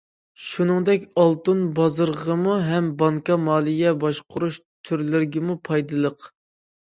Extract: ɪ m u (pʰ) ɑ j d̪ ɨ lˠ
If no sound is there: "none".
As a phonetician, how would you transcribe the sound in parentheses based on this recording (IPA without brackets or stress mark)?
pʰ